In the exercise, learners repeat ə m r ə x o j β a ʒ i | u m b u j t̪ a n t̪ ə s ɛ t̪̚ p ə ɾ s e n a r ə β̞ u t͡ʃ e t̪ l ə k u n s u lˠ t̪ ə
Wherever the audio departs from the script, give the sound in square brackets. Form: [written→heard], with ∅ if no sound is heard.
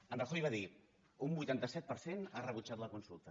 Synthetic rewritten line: ə [m→n] r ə x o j β a [ʒ→ð] i | u m b u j t̪ a n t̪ ə s ɛ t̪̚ p ə ɾ s e n a r ə β̞ u t͡ʃ [e→a] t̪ l ə k u n s u lˠ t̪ ə